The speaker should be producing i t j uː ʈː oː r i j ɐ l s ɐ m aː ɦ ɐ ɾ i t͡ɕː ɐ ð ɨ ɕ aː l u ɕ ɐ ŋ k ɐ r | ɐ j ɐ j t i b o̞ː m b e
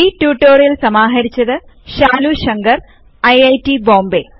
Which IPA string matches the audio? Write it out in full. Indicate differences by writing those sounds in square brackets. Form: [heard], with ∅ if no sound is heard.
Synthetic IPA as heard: i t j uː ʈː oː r i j ɐ l s ɐ m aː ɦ ɐ ɾ i t͡ɕː ɐ ð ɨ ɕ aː l u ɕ ɐ ŋ [ɡ] ɐ r | ɐ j ɐ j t i b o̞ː m b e